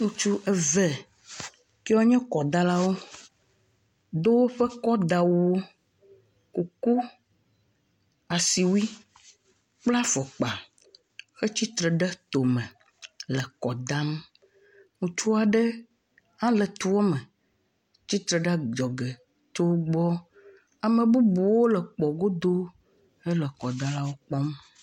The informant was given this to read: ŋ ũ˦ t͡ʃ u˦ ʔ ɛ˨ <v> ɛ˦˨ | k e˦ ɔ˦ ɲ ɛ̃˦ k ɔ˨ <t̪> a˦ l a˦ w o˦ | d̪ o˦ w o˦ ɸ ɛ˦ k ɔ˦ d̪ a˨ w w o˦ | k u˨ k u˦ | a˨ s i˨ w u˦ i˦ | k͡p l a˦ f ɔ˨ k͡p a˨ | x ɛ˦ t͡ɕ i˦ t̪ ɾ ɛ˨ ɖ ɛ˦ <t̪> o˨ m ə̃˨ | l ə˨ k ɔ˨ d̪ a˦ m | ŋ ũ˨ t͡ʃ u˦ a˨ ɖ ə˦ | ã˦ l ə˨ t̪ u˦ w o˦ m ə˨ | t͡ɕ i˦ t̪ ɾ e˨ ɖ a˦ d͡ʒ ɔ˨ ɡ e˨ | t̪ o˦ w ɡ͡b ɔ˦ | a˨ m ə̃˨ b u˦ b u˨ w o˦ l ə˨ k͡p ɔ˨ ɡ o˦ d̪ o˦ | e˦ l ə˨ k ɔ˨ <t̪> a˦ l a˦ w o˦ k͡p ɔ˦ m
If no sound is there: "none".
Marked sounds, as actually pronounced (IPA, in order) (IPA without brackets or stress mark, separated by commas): v, d̪, t̪, d̪